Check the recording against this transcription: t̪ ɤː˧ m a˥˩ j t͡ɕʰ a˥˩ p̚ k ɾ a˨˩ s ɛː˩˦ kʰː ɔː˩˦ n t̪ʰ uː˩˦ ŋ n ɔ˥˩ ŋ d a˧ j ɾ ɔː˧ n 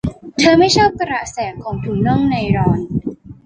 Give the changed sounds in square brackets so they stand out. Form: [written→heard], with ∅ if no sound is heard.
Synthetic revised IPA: [t̪→t̪ʰ] ɤː˧ m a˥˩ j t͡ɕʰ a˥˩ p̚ k ɾ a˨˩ s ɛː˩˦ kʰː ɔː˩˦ [n→ŋ] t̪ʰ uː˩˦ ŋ n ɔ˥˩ ŋ [d→n] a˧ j ɾ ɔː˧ n